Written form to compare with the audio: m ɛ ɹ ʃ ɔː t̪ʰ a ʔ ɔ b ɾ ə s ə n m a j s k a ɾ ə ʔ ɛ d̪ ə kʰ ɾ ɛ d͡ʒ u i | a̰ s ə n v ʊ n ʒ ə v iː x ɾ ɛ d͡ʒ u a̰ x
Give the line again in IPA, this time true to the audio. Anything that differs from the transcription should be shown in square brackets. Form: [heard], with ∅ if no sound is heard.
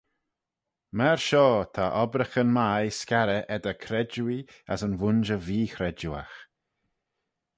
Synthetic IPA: m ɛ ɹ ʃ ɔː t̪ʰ a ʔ ɔ b ɾ ə [x] ə n m a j s k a ɾ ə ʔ ɛ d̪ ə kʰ ɾ ɛ d͡ʒ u i | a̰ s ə n v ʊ n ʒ ə v iː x ɾ ɛ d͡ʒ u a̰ x

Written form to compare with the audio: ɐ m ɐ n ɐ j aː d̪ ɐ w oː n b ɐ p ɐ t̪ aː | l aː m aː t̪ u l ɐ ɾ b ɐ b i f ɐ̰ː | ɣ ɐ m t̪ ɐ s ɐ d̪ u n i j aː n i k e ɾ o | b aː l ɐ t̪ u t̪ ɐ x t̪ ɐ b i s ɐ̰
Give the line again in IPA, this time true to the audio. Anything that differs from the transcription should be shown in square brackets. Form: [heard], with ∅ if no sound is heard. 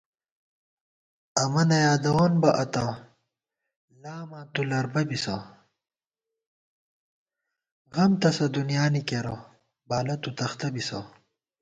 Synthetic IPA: ɐ m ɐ n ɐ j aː d̪ ɐ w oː n b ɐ [ʔ] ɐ t̪ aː | l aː m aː t̪ u l ɐ ɾ b ɐ b i [s] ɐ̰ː | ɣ ɐ m t̪ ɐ s ɐ d̪ u n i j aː n i k e ɾ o | b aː l ɐ t̪ u t̪ ɐ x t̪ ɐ b i s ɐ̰

